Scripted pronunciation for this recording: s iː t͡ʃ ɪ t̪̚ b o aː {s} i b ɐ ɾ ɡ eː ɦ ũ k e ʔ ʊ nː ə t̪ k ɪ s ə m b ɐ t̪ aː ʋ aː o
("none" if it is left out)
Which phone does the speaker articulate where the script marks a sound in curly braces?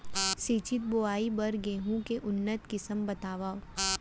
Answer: none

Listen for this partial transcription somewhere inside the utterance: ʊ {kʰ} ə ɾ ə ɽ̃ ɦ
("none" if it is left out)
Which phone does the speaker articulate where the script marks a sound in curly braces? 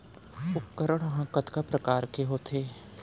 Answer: k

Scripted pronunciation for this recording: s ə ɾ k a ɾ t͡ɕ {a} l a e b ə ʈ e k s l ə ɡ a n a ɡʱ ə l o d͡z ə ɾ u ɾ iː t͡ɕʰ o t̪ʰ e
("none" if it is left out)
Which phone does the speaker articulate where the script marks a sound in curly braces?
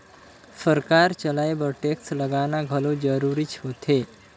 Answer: ə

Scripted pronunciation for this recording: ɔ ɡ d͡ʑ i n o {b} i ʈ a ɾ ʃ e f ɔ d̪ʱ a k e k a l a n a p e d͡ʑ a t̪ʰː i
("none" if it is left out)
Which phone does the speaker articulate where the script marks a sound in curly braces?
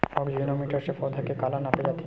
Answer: m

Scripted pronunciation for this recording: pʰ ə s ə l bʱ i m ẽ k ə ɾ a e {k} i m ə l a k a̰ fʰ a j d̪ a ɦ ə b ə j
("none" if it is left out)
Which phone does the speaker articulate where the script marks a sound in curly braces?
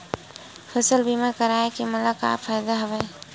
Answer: k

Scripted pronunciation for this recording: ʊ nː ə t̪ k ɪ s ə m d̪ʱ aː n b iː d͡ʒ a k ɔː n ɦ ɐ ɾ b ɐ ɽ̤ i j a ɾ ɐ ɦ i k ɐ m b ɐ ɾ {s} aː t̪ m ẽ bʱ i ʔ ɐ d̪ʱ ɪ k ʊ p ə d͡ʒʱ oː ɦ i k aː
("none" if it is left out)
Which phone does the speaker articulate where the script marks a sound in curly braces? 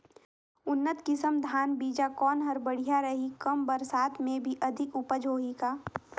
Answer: s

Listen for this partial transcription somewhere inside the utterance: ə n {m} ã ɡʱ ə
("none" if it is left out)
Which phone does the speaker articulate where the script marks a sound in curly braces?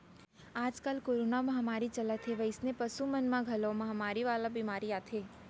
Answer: m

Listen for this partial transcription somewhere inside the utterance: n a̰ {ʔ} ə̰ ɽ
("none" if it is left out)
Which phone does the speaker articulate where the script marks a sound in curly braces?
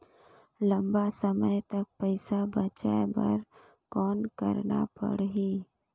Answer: p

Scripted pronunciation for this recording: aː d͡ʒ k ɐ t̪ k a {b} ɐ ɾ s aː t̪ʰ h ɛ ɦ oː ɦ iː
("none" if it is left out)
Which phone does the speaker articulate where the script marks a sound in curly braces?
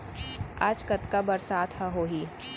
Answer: b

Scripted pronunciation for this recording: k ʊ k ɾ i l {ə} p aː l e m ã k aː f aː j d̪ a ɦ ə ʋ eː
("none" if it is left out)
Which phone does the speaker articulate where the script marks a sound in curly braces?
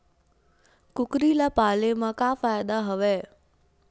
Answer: a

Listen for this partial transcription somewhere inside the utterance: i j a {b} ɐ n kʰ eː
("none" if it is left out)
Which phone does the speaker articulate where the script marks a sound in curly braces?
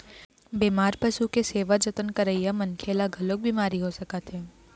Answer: m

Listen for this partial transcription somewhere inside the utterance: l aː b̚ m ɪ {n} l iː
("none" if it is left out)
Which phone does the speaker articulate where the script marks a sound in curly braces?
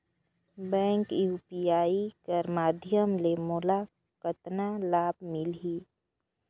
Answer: none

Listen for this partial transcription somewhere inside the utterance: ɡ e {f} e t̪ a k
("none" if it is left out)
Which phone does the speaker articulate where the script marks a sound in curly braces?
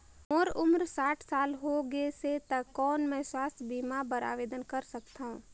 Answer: s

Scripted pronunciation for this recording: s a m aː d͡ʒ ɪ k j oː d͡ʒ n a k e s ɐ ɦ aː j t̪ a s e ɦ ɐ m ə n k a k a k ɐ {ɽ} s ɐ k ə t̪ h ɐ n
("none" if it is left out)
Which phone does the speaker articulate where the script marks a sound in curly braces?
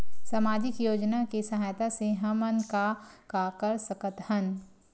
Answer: ɾ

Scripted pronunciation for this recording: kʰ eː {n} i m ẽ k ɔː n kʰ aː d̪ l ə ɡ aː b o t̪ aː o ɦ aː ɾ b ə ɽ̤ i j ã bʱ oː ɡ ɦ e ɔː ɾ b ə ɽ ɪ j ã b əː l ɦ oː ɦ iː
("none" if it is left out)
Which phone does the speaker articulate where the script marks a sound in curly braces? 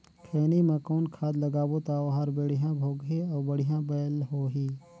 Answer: n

